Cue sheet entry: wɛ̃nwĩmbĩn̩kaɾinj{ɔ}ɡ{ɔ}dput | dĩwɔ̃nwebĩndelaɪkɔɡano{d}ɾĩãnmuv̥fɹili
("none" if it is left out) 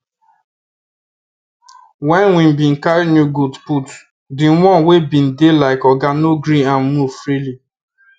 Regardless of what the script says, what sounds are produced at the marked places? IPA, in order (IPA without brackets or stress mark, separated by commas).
u, u, ɡ